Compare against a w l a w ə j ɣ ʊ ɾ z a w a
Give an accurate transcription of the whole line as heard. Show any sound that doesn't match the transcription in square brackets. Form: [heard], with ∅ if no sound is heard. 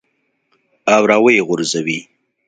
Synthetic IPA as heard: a w [ɾ] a w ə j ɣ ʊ ɾ z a w [i]